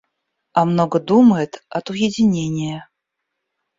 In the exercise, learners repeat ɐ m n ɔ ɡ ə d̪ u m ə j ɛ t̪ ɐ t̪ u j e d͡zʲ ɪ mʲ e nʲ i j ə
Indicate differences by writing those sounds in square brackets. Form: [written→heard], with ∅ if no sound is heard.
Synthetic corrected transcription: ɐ m n ɔ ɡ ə d̪ u m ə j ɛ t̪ ɐ t̪ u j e d͡zʲ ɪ [mʲ→nʲ] e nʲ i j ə

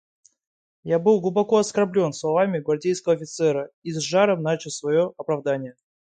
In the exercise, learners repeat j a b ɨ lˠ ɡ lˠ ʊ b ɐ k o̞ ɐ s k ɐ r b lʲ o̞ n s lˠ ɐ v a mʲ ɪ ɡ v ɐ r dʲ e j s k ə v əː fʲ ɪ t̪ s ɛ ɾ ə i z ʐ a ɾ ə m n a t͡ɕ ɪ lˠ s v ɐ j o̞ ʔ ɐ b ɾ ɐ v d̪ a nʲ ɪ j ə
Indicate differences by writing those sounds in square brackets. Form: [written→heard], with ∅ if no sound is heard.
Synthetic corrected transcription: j a b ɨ lˠ ɡ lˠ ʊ b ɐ k o̞ ɐ s k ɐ r b lʲ o̞ n s lˠ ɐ v a mʲ ɪ ɡ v ɐ r dʲ e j s k ə v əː fʲ ɪ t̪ s ɛ ɾ ə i z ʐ a ɾ ə m n a t͡ɕ ɪ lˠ s v ɐ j o̞ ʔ ɐ [b→p] ɾ ɐ v d̪ a nʲ ɪ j ə

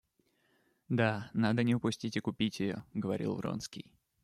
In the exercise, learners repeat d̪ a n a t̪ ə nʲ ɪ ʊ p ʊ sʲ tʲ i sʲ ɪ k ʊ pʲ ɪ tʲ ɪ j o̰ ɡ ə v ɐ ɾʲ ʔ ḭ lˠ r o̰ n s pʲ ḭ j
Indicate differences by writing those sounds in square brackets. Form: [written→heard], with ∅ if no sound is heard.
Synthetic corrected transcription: d̪ a n a [t̪→d̪] ə nʲ ɪ ʊ p ʊ sʲ tʲ i [sʲ→tʲ] ɪ k ʊ pʲ [ɪ→i] tʲ ɪ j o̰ ɡ ə v ɐ ɾʲ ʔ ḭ lˠ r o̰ n s [pʲ→kʲ] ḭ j

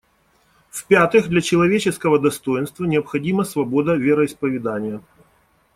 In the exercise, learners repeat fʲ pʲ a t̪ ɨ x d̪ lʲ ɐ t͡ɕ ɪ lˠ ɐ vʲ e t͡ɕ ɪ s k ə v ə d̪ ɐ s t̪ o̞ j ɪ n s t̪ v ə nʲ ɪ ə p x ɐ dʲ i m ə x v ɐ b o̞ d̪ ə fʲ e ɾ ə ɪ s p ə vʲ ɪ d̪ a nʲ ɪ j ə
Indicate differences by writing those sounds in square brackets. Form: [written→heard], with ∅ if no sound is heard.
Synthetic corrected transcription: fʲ pʲ a t̪ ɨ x d̪ lʲ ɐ t͡ɕ ɪ lˠ ɐ vʲ e t͡ɕ ɪ s k ə v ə d̪ ɐ s t̪ o̞ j ɪ n s t̪ v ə nʲ ɪ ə p x ɐ dʲ i m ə [x→s] v ɐ b o̞ d̪ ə [fʲ→vʲ] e ɾ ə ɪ s p ə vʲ ɪ d̪ a nʲ ɪ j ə

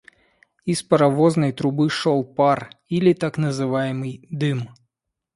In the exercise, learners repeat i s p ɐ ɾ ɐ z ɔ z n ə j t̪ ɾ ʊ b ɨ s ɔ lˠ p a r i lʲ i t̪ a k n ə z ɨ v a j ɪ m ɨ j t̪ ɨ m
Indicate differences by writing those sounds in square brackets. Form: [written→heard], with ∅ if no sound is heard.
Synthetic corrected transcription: i s p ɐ ɾ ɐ [z→v] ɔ z n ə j t̪ ɾ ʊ b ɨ [s→ʂ] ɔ lˠ p a r i lʲ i t̪ a k n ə z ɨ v a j ɪ m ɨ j [t̪→d̪] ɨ m

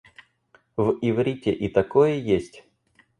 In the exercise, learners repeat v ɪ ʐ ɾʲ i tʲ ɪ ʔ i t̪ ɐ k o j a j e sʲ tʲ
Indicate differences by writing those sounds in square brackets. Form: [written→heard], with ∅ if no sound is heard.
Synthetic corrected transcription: v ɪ [ʐ→v] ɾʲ i tʲ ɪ ʔ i t̪ ɐ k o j [a→ə] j e sʲ tʲ

